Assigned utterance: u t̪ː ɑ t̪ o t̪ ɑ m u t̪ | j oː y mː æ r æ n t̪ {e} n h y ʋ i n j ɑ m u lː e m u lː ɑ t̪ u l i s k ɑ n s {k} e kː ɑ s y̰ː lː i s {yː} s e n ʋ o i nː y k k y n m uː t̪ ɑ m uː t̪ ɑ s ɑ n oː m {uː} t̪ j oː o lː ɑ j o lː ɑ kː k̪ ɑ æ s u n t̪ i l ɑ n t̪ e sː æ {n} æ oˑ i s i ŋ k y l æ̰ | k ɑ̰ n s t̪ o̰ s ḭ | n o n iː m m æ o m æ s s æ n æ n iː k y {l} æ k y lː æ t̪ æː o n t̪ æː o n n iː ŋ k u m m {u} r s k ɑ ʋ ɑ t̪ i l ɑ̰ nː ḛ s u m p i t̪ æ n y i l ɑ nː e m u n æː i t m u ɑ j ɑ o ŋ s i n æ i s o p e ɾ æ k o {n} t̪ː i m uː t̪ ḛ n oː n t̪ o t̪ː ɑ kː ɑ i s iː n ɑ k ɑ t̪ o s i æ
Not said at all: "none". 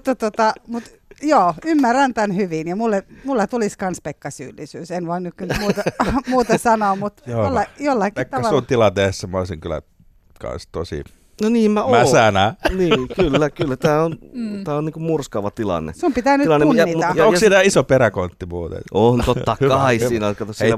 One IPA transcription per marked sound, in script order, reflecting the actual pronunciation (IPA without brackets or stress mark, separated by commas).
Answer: æ, p, yː, u, m, lː, u, n